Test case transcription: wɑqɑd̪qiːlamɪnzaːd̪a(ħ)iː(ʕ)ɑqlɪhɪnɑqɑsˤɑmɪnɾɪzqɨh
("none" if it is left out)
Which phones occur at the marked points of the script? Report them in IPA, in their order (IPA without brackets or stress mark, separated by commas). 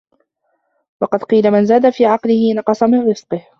f, ʕ